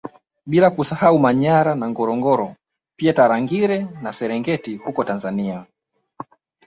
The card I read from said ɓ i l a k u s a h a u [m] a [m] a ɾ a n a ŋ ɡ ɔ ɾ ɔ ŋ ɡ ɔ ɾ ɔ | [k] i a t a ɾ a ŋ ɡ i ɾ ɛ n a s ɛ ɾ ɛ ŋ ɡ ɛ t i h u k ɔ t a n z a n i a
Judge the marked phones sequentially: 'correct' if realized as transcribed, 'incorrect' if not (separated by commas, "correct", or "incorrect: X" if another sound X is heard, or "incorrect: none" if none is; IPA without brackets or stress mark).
correct, incorrect: ɲ, incorrect: p